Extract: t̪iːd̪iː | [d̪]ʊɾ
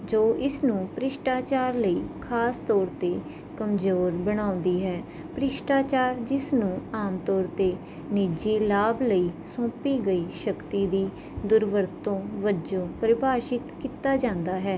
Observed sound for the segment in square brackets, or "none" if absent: d̪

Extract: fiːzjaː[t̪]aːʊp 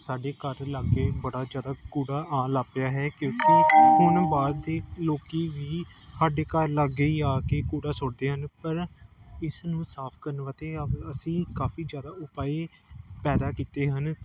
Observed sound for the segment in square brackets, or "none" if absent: d̪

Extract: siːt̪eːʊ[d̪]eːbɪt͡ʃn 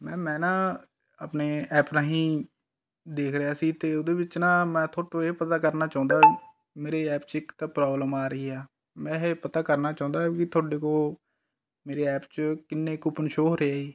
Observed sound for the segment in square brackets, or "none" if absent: d̪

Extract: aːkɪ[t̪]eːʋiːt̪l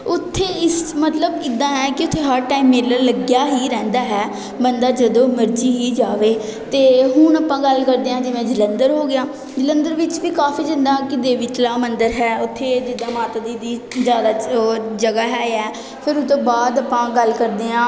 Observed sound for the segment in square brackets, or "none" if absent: d̪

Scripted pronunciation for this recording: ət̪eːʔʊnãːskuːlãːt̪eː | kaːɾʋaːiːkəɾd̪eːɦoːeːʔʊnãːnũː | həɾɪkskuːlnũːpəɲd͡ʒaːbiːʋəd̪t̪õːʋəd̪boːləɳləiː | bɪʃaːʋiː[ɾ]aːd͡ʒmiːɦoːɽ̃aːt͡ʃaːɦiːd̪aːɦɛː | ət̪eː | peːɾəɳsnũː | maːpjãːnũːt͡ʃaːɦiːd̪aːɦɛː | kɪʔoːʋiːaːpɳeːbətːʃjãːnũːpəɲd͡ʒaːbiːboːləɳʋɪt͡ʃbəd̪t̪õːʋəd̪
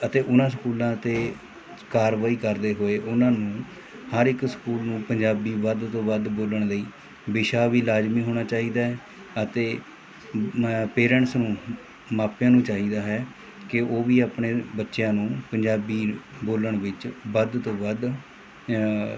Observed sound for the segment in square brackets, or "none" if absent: l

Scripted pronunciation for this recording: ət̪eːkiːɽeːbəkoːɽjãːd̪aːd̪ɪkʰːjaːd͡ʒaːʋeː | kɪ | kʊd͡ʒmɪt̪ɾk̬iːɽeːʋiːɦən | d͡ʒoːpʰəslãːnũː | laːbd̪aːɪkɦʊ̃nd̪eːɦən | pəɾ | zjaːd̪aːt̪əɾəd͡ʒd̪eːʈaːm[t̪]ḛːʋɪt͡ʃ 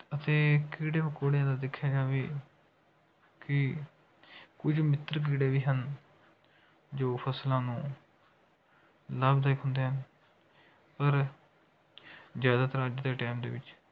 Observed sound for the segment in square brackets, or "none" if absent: d̪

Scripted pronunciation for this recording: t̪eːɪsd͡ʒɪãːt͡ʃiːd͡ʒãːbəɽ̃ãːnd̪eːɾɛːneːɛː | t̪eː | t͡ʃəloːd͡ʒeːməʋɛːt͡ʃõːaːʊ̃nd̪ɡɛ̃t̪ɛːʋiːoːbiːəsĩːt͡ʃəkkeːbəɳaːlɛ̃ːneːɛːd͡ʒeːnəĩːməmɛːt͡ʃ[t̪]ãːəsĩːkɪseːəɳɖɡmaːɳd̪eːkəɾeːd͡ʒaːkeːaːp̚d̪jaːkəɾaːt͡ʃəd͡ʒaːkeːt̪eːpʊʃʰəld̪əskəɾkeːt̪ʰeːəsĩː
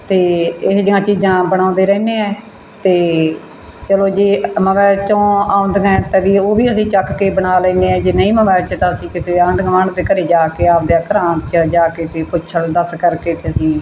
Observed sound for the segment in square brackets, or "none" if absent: t̪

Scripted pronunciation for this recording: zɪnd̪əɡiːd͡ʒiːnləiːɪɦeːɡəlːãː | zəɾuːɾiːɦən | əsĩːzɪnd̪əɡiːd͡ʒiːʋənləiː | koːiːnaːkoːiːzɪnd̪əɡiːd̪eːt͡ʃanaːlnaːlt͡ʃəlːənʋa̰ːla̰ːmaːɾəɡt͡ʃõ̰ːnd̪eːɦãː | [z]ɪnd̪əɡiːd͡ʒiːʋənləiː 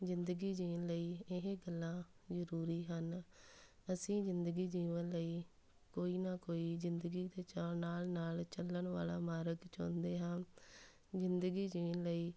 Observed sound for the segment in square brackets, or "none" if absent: z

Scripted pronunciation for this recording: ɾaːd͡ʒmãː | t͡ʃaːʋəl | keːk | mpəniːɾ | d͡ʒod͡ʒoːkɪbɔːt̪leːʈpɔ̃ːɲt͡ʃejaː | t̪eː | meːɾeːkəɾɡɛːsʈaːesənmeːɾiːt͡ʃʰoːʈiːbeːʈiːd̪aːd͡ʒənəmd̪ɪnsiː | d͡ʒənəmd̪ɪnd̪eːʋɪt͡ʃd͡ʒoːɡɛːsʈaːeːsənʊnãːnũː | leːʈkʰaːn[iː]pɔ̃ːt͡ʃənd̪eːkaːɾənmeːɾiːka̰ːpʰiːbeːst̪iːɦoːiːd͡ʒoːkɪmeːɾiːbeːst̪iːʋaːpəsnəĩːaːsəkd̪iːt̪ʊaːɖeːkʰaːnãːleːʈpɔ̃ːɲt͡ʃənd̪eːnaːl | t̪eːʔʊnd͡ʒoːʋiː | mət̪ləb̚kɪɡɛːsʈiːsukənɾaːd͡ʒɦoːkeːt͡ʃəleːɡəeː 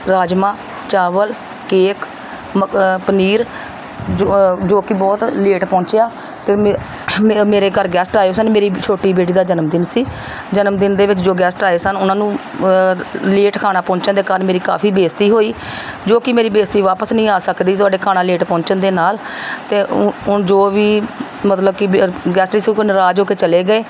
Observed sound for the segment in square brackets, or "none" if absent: aː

